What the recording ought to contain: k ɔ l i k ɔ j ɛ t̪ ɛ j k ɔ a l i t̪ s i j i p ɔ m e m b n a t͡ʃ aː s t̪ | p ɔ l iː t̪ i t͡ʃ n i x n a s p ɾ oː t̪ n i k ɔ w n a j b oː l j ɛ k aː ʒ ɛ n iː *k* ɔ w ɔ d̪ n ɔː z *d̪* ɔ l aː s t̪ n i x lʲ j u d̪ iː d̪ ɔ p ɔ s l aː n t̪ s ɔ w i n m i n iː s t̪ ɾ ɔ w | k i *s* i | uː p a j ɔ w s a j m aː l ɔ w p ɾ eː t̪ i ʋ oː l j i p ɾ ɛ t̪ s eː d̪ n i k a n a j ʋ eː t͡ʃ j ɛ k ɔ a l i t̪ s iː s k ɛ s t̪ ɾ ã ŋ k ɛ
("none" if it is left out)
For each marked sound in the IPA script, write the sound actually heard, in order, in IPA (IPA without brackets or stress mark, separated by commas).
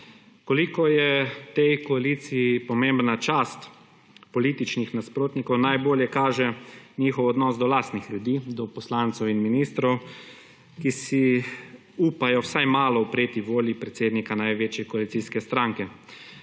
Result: x, d̪, s